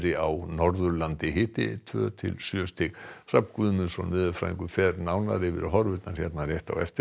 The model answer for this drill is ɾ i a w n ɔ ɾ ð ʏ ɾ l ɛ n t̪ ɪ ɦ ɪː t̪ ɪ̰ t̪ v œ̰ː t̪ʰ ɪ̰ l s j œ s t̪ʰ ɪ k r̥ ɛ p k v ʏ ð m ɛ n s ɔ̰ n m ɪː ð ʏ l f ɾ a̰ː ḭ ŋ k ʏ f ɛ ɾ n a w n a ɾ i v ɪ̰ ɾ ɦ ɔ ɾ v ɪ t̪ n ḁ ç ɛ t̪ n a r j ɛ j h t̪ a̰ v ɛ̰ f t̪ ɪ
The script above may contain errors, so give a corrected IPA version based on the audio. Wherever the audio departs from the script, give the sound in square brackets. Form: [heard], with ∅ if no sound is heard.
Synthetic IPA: ɾ [ɪ] a w n ɔ ɾ ð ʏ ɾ l [a] n t̪ ɪ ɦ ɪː t̪ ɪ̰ [t̪ʰ] v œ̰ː t̪ʰ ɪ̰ l s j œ s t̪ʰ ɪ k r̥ [a] p k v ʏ ð m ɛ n s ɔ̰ n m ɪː ð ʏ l f ɾ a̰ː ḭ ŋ k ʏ f ɛ ɾ n a w n a ɾ [ɪ] v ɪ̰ ɾ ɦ ɔ ɾ v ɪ t̪ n ḁ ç ɛ t̪ n a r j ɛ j h t̪ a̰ [w] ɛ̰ f t̪ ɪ